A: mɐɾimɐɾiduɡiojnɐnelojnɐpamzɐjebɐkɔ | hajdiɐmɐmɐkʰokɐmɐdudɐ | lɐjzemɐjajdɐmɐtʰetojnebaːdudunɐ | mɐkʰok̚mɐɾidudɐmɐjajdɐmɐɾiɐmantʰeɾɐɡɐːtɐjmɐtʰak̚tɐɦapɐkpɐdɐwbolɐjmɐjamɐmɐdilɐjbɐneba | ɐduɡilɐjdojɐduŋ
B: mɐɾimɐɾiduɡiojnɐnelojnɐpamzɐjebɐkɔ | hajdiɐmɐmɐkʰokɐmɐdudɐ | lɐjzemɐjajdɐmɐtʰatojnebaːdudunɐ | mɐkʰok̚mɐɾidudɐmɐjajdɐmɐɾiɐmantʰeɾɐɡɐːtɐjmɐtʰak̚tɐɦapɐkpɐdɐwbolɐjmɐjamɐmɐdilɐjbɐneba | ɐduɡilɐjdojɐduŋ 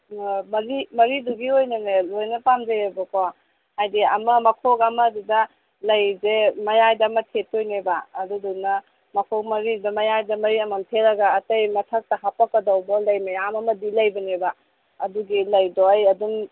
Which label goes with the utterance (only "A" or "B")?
A